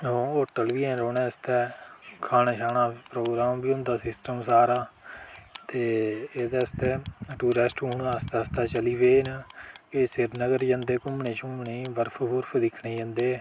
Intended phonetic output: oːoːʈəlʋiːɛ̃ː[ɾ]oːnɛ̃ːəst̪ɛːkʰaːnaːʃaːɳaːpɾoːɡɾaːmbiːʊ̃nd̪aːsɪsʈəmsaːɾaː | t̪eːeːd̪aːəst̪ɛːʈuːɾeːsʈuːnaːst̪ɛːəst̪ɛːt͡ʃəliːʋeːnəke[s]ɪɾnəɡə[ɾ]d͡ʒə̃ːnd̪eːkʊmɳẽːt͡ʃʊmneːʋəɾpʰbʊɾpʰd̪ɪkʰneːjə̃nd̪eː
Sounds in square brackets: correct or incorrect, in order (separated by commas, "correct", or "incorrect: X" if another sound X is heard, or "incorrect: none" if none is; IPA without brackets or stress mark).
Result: correct, correct, correct